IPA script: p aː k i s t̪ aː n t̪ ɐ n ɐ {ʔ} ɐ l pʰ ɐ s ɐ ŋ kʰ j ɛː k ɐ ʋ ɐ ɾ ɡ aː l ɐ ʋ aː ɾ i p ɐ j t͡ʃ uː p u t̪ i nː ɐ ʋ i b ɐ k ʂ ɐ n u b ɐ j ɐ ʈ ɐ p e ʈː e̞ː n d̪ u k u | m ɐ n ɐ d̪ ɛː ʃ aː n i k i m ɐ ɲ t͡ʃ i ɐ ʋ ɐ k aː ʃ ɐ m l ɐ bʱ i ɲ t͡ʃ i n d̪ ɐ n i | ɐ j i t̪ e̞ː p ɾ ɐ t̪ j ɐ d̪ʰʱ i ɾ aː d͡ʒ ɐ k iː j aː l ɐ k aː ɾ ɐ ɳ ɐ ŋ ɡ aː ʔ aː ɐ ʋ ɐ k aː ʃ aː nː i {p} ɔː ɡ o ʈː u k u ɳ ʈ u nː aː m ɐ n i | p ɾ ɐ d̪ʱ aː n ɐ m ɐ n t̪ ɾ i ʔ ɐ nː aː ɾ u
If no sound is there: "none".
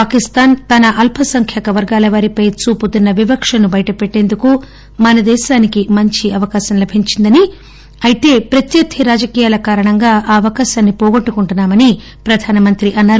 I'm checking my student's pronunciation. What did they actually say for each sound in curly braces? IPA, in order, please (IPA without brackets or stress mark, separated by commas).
ʔ, p